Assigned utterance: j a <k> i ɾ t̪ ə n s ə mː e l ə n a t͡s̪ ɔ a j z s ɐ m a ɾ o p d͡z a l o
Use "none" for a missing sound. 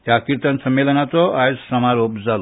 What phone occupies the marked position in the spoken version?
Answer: k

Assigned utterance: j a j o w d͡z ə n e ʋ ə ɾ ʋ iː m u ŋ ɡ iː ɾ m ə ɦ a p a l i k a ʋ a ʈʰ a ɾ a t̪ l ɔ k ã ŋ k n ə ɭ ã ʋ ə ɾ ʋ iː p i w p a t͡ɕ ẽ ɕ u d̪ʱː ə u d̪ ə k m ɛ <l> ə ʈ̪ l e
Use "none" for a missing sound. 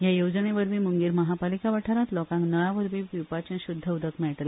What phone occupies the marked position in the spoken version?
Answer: ɭ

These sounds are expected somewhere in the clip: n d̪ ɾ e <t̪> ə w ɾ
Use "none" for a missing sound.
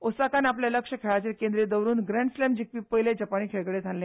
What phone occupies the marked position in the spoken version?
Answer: d̪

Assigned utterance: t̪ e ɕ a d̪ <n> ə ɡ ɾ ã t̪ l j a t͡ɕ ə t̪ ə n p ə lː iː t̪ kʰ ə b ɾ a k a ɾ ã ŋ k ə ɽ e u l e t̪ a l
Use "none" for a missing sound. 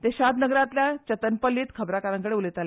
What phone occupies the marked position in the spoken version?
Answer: n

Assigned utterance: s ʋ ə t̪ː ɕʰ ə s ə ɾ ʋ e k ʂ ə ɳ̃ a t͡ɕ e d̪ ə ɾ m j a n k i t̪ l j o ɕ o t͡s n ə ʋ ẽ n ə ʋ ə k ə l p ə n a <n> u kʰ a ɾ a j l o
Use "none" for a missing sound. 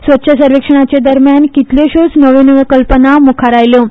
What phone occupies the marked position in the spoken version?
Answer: m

